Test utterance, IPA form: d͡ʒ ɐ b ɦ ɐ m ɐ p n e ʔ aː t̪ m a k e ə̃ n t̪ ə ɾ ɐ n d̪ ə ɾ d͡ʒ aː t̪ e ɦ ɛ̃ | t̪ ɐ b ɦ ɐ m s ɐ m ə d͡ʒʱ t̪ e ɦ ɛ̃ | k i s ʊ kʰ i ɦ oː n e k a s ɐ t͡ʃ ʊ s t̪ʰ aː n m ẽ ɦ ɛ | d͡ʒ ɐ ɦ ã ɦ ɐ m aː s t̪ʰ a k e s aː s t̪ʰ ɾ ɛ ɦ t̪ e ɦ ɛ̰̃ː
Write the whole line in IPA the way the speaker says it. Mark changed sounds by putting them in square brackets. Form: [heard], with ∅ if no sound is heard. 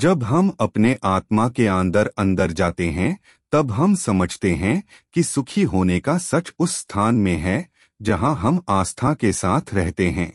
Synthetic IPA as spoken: d͡ʒ ɐ b ɦ ɐ m ɐ p n e ʔ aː t̪ m a k e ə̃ n [d̪] ə ɾ [ɐ̃] n d̪ ə ɾ d͡ʒ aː t̪ e ɦ ɛ̃ | t̪ ɐ b ɦ ɐ m s ɐ m ə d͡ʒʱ t̪ e ɦ ɛ̃ | k i s ʊ kʰ i ɦ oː n e k a s ɐ t͡ʃ ʊ [sː] t̪ʰ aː n m ẽ ɦ ɛ | d͡ʒ ɐ ɦ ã ɦ ɐ m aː s t̪ʰ a k e s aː [∅] t̪ʰ ɾ ɛ ɦ t̪ e ɦ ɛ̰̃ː